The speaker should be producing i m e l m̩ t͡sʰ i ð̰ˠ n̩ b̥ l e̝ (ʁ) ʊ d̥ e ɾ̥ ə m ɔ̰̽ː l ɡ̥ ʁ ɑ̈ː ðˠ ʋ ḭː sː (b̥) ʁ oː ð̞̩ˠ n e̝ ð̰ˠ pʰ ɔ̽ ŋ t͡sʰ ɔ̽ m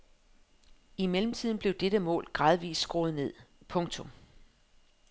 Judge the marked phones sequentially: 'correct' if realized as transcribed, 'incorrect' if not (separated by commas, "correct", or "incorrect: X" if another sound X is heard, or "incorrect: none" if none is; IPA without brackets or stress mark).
incorrect: none, incorrect: ɡ̥